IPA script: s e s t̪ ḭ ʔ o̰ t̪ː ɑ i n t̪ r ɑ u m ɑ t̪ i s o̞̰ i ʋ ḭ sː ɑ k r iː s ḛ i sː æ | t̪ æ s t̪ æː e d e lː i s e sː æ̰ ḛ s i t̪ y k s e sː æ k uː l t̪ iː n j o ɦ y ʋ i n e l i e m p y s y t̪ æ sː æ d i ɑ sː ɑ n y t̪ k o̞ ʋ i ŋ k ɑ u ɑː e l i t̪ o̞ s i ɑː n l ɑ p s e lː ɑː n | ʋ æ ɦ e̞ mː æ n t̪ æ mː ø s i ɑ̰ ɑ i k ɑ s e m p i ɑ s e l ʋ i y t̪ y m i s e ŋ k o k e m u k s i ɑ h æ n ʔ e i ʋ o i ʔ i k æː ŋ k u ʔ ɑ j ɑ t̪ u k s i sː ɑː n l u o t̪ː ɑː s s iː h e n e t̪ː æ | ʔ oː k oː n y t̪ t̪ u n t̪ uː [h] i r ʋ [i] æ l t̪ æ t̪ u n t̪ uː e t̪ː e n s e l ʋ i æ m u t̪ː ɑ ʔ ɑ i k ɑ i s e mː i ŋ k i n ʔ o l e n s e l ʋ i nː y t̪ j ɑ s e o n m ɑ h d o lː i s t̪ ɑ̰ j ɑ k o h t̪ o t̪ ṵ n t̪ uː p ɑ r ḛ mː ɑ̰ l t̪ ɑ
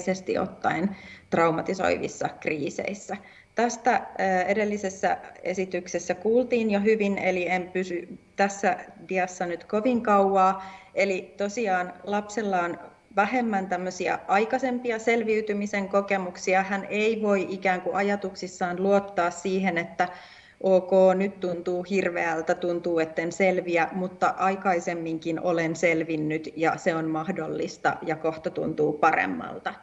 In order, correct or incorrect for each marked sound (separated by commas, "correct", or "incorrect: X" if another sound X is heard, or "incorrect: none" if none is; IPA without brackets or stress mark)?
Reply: correct, incorrect: e